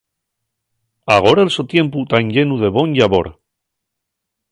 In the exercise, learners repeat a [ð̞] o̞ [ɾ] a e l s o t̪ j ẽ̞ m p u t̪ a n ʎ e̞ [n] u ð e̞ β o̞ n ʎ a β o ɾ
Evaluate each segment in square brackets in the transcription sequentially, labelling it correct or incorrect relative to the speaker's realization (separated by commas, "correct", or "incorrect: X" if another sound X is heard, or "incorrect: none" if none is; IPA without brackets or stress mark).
incorrect: ɣ̞, correct, correct